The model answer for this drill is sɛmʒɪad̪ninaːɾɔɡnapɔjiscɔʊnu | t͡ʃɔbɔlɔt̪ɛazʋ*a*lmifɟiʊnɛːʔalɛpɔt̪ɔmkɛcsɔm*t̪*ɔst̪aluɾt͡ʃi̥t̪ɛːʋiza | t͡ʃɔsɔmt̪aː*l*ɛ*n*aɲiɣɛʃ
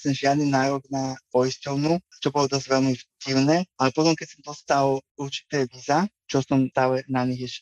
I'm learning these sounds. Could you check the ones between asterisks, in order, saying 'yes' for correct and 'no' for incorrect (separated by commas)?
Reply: no, no, yes, yes